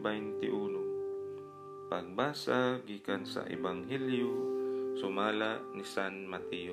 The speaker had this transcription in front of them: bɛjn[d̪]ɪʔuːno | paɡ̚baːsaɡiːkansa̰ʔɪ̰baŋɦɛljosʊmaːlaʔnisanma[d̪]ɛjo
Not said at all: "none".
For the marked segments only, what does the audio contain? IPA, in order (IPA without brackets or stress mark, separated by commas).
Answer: t̪, t̪